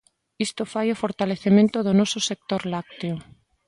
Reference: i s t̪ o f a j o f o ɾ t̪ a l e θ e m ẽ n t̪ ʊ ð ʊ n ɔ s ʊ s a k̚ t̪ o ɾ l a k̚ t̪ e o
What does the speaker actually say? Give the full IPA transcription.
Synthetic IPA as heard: i s t̪ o f a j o f o ɾ t̪ a l e θ e m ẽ n t̪ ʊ ð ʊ n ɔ s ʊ s e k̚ t̪ o ɾ l a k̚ t̪ e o